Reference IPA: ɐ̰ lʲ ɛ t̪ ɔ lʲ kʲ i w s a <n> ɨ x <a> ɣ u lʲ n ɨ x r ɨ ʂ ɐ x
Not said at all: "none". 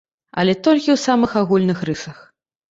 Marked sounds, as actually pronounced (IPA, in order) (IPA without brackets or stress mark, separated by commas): m, a